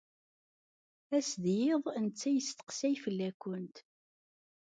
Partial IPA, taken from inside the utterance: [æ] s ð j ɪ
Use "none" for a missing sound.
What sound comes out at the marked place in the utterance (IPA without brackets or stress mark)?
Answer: æ